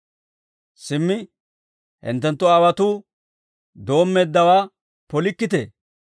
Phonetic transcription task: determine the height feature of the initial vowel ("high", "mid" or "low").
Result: high